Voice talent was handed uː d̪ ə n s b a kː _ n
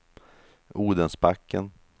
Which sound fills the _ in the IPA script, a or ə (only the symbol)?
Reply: ə